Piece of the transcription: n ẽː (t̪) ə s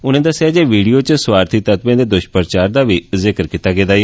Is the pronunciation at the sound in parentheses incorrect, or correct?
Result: incorrect: d̪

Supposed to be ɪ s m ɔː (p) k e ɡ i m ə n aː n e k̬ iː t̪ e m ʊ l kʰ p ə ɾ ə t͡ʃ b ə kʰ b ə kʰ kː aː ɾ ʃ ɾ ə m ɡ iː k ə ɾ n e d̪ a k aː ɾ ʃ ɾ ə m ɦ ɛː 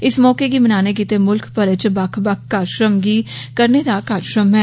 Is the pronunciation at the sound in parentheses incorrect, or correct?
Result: incorrect: none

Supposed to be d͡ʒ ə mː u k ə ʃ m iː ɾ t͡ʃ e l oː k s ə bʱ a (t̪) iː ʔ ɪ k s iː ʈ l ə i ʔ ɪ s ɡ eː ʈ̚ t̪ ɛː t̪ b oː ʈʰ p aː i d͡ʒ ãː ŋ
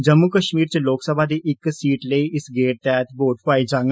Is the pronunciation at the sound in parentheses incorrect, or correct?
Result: incorrect: d̪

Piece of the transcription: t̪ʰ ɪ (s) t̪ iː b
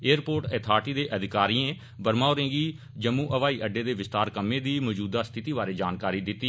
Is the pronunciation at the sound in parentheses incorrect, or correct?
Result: incorrect: none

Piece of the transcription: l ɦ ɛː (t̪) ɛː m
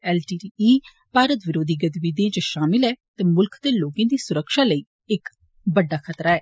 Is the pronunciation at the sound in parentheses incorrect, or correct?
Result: correct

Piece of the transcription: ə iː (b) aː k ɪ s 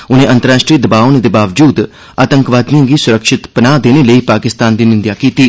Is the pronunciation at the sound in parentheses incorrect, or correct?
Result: incorrect: p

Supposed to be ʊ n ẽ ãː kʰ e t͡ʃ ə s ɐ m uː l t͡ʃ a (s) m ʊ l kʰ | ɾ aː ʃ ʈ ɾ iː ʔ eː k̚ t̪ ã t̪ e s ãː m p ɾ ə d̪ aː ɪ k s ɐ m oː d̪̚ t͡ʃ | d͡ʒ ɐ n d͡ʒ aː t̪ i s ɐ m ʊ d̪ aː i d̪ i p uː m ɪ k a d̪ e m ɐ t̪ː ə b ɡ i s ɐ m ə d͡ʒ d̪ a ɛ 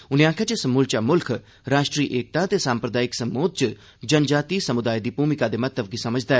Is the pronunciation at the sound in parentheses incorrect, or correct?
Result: incorrect: none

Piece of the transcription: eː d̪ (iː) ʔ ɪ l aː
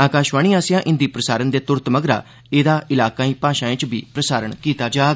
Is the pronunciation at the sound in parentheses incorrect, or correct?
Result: incorrect: aː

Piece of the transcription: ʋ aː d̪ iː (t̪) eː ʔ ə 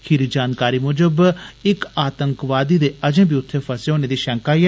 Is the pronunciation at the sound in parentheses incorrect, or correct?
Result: incorrect: d̪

